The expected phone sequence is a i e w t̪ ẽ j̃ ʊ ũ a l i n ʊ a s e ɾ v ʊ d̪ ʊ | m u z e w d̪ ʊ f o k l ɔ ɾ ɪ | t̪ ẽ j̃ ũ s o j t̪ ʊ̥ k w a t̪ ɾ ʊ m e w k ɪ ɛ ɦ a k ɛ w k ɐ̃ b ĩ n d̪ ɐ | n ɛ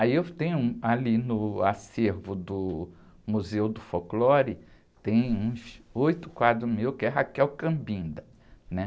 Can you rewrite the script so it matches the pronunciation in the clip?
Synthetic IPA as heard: a i e w t̪ ẽ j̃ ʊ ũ a l i n ʊ a s e ɾ v ʊ d̪ ʊ | m u z e w d̪ ʊ f o k l ɔ ɾ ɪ | t̪ ẽ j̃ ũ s o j t̪ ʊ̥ k w a d̪ ɾ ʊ m e w k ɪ ɛ ɦ a k ɛ w k ɐ̃ b ĩ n d̪ ɐ | n ɛ